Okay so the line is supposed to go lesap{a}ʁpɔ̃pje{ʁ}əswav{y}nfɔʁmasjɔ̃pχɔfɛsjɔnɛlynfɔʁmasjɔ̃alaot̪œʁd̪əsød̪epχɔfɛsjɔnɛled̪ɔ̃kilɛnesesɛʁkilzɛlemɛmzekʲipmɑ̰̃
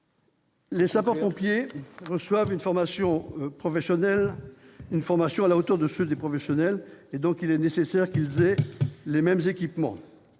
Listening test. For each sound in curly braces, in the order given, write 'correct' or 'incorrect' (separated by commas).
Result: correct, correct, correct